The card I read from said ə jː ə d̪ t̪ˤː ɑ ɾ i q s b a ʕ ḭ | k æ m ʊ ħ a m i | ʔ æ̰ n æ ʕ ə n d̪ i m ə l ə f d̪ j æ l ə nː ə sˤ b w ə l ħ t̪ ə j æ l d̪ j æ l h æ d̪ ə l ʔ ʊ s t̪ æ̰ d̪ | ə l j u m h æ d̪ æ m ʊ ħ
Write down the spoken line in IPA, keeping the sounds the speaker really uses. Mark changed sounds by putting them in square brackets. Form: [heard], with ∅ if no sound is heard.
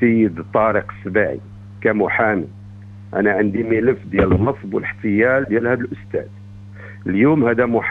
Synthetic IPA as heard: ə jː ə d̪ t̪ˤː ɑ ɾ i q s b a ʕ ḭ | k æ m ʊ ħ a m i | ʔ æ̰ n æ ʕ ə n d̪ i m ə l ə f d̪ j æ l ə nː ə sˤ b w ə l ħ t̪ ə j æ l d̪ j æ l h æ d̪ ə l ʔ ʊ s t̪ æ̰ d̪ | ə l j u m h æ d̪ æ m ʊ ħ

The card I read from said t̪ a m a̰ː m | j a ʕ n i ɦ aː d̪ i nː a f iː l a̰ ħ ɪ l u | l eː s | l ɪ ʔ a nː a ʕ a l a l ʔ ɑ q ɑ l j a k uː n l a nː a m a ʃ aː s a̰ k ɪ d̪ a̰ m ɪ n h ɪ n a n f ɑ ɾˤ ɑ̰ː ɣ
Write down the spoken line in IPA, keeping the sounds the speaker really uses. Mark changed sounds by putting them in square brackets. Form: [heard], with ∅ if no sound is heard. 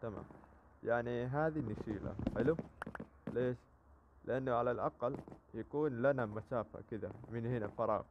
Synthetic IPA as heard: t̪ a m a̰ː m | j a ʕ n i ɦ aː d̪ i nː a [ʃ] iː l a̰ ħ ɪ l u | l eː [ʃ] | l ɪ ʔ a nː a ʕ a l a l ʔ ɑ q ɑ l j a k uː n l a [n] a m a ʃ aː [f] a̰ k ɪ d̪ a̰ m ɪ n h ɪ n a [∅] f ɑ ɾˤ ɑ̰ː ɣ

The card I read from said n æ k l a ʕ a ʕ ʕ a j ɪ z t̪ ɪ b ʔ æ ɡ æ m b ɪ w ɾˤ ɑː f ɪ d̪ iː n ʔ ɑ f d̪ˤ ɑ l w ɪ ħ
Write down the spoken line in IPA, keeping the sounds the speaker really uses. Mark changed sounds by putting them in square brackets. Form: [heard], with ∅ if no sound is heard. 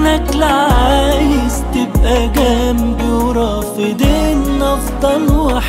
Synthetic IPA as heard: n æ k l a ʕ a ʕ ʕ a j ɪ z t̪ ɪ b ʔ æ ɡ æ m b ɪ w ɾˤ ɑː f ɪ d̪ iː n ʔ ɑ f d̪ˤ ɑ l w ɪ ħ

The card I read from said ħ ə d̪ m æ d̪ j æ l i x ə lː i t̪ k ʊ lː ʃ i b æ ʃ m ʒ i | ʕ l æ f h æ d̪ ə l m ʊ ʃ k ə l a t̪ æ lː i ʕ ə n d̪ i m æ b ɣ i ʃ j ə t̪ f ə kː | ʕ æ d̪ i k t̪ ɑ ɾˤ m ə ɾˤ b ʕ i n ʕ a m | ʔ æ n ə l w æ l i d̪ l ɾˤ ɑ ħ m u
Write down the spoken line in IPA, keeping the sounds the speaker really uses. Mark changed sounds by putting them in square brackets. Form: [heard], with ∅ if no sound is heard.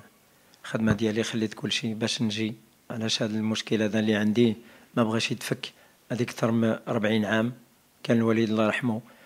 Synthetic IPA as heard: [x] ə d̪ m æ d̪ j æ l i x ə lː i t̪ k ʊ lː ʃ i b æ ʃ [n] ʒ i | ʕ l æ [ʃ] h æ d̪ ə l m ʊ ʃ k ə l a [d̪] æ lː i ʕ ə n d̪ i m æ b ɣ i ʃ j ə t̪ f ə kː | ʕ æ d̪ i k t̪ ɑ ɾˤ m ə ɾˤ b ʕ i n ʕ a m | [k] æ n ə l w æ l i d̪ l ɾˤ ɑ ħ m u

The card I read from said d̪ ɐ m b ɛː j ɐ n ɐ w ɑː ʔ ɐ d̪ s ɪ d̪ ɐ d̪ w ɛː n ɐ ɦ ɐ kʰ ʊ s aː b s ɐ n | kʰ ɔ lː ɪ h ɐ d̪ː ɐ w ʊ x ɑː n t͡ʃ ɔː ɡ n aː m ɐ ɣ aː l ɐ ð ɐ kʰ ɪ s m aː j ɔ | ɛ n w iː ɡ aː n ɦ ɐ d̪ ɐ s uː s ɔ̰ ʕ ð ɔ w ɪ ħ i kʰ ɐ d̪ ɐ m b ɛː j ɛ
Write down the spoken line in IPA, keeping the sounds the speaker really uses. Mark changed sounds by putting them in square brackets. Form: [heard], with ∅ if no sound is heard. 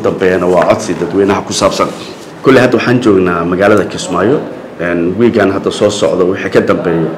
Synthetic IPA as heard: d̪ ɐ m b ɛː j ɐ n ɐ w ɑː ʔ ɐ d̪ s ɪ d̪ ɐ d̪ w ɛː n ɐ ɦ ɐ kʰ ʊ s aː b s ɐ n | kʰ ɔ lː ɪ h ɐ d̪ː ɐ w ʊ [ħ] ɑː n t͡ʃ ɔː ɡ n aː m ɐ ɣ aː l ɐ ð ɐ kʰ ɪ s m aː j ɔ | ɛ n w iː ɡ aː n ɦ ɐ d̪ ɐ s [ɔː] s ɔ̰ ʕ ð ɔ w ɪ ħ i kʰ ɐ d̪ ɐ m b ɛː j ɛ

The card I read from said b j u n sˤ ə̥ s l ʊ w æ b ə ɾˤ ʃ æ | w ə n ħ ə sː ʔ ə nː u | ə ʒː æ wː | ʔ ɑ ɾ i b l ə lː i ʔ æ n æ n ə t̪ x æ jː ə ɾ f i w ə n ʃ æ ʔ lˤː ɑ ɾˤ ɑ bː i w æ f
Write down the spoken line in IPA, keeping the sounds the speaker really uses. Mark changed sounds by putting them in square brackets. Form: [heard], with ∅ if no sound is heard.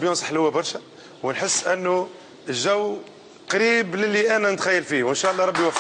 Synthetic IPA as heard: b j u n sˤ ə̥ [ħ] l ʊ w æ b [ɑ] ɾˤ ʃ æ | w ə n ħ ə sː ʔ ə nː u | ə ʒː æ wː | [q] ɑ ɾ i b l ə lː i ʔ æ n æ n ə t̪ x æ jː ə [l] f i w ə n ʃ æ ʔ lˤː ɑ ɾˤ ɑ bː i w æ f

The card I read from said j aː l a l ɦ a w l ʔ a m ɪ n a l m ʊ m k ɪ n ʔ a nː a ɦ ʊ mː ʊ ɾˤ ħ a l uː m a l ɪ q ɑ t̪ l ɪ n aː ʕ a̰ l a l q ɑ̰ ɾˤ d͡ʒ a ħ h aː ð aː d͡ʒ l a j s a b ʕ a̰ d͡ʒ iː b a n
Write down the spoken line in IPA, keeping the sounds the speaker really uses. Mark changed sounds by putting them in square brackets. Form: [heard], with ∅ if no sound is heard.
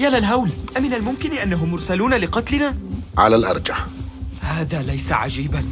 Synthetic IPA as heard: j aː l a l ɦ a w l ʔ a m ɪ n a l m ʊ m k ɪ n ʔ a nː a ɦ ʊ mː ʊ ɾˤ [s] a l uː [n] a l ɪ q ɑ t̪ l ɪ n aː ʕ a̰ l a l [ʔ] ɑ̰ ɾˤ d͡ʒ a ħ h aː ð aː [∅] l a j s a [∅] ʕ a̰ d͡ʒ iː b a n

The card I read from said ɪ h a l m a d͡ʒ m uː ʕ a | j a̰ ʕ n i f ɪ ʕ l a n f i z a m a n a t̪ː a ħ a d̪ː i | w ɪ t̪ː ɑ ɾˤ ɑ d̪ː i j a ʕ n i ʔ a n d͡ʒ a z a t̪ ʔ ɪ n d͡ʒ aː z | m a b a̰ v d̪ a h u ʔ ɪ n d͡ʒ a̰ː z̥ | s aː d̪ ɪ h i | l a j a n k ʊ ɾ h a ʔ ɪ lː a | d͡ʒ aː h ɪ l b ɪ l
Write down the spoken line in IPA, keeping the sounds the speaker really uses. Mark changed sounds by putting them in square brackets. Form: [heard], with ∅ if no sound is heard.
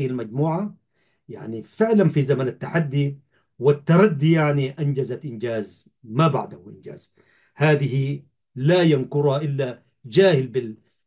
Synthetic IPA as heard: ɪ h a l m a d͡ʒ m uː ʕ a | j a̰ ʕ n i f ɪ ʕ l a n f i z a m a n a t̪ː a ħ a d̪ː i | w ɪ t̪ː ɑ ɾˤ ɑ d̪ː i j a ʕ n i ʔ a n d͡ʒ a z a t̪ ʔ ɪ n d͡ʒ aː z | m a b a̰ [ʕ] d̪ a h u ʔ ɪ n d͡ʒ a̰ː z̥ | [h] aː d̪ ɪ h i | l a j a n k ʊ ɾ h a ʔ ɪ lː a | d͡ʒ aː h ɪ l b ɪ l

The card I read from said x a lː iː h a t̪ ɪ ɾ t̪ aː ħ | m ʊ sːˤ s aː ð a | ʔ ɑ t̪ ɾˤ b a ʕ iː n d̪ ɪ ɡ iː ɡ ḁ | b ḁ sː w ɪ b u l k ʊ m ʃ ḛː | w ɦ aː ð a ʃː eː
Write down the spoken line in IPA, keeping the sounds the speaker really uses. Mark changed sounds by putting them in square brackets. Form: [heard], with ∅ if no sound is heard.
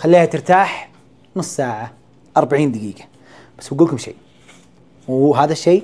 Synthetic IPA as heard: x a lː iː h a t̪ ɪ ɾ t̪ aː ħ | [n] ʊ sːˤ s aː [ʕ] a | ʔ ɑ [∅] ɾˤ b a ʕ iː n d̪ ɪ ɡ iː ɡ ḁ | b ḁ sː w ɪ [ɡ] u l k ʊ m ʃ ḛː | w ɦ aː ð a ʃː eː

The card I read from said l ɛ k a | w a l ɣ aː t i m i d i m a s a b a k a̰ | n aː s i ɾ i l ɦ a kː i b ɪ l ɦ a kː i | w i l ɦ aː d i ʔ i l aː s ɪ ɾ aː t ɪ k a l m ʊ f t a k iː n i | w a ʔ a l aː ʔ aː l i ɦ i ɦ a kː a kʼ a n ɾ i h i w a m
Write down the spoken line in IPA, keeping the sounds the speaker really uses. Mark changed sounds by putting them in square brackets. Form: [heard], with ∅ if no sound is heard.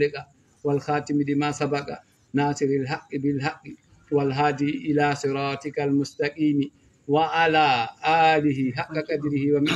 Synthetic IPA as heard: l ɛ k a | w a l [x] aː t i m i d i m a s a b a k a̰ | n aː s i ɾ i l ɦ a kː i b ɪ l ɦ a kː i | w [a] l ɦ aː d i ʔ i l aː s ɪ ɾ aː t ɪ k a l m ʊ [s] t a k iː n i | w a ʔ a l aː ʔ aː l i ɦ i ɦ a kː a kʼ a [d] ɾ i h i w a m

